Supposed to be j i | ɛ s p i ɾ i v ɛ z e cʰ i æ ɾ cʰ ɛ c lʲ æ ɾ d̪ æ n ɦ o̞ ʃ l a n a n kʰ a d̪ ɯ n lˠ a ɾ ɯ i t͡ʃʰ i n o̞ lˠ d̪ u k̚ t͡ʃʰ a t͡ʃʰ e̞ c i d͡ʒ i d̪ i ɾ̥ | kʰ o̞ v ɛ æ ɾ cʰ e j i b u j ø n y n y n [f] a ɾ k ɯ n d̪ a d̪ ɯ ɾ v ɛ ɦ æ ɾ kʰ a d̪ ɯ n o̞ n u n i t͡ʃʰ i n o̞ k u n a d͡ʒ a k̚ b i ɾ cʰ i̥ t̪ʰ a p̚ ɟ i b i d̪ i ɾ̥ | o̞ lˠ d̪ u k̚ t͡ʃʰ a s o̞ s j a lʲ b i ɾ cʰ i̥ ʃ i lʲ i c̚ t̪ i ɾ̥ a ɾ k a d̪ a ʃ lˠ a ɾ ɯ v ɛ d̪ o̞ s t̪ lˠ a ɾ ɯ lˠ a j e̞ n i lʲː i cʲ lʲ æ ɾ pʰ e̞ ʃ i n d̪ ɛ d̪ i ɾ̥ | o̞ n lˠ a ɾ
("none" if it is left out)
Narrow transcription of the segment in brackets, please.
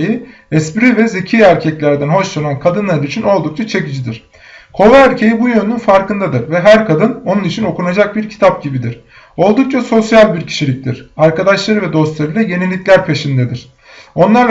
f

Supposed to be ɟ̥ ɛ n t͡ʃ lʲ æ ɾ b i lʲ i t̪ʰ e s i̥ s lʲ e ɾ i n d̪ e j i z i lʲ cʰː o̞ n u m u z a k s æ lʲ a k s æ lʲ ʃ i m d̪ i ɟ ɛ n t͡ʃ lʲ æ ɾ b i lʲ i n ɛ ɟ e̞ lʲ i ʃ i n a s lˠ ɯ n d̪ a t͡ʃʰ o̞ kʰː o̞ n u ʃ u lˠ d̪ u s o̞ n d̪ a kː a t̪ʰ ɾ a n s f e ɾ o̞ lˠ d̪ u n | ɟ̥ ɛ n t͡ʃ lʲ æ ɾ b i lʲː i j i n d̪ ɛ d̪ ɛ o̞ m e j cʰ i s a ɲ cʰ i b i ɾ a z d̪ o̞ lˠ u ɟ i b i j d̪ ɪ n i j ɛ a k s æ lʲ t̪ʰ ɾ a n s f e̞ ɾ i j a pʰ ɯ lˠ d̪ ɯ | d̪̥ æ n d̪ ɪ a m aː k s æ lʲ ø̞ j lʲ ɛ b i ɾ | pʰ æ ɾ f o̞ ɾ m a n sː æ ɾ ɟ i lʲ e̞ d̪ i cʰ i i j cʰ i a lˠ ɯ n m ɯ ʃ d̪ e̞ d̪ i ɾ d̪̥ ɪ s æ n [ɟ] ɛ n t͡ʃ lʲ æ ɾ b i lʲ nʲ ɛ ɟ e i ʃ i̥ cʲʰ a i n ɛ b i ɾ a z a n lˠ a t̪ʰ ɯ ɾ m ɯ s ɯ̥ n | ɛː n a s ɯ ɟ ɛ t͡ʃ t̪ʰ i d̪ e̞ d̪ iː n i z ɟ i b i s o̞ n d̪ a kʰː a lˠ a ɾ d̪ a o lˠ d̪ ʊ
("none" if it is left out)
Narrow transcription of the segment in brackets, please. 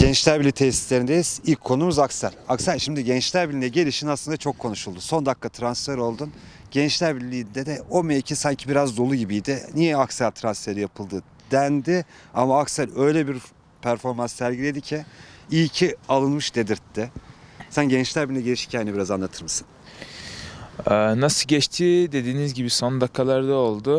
ɟ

